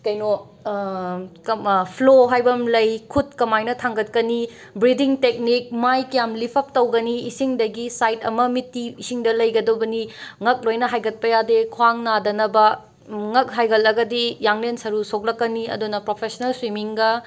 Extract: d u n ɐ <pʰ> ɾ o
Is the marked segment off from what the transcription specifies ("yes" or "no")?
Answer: yes